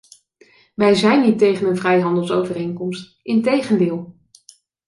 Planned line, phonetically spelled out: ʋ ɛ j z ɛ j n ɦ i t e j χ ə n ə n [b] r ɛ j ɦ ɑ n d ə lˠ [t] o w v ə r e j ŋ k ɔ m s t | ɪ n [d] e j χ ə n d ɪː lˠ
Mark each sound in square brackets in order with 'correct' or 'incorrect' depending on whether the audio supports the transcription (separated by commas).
incorrect, incorrect, incorrect